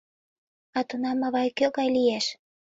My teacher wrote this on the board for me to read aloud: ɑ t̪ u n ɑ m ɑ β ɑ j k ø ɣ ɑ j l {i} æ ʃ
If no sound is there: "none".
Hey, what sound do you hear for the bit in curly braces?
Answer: i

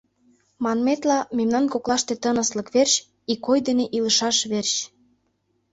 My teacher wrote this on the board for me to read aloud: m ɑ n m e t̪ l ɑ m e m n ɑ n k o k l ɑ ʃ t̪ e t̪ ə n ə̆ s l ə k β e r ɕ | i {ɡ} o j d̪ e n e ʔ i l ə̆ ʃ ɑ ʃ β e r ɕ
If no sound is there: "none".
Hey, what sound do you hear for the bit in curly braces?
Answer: k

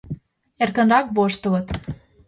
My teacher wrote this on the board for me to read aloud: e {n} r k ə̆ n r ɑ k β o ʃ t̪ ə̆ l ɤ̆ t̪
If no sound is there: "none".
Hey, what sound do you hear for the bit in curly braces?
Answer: none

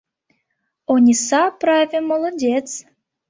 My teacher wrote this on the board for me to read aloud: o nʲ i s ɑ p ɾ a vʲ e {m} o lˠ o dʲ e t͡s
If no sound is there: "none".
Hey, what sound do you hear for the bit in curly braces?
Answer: m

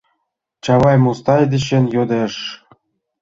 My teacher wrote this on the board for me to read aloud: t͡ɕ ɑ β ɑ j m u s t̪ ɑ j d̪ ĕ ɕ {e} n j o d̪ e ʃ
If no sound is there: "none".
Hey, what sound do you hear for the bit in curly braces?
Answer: e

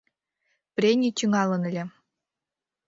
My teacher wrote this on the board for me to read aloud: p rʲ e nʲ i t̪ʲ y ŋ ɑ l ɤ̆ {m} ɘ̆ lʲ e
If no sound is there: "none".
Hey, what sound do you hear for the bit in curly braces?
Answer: n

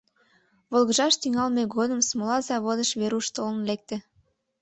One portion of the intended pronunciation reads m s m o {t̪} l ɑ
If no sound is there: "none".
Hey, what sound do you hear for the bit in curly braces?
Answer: none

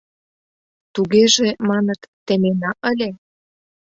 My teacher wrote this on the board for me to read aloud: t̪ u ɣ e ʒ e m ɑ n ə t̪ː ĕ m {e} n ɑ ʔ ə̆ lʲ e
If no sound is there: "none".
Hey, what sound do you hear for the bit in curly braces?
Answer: e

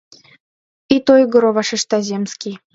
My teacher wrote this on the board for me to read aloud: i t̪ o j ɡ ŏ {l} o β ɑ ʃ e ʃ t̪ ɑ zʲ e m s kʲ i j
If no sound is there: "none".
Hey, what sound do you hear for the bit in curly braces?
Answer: ɾ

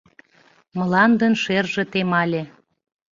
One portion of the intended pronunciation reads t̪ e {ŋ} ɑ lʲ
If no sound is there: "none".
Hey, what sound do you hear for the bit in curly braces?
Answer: m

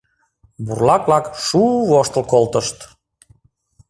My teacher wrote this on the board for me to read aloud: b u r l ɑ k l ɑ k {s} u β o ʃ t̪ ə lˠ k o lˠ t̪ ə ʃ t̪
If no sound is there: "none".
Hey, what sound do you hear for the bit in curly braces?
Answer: ʃ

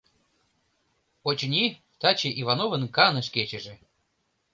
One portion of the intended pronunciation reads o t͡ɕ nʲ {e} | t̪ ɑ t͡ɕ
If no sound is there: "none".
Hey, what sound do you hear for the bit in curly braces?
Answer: i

